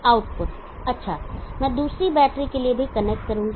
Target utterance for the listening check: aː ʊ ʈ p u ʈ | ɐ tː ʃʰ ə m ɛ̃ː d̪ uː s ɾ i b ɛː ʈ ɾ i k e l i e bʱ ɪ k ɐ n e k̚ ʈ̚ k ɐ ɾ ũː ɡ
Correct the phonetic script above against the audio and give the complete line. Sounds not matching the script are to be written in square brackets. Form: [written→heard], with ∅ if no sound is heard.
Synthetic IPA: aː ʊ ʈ p [u→ʊ] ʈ | ɐ tː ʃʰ [ə→a] m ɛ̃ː d̪ uː s ɾ i b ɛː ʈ ɾ i k e l i e bʱ [ɪ→i] k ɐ n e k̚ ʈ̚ k ɐ ɾ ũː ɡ